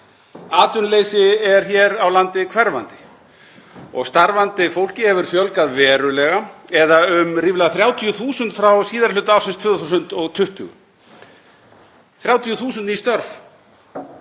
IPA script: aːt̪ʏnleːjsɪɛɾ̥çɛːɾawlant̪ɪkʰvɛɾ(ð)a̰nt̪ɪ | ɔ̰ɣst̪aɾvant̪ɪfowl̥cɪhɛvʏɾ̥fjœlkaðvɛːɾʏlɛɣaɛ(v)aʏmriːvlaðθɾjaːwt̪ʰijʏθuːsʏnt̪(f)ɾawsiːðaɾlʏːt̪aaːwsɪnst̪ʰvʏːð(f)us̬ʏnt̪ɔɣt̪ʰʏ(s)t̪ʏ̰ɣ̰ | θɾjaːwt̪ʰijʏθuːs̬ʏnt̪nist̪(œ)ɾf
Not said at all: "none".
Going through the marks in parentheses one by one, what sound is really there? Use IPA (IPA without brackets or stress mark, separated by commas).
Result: v, ð, f, θ, h, œ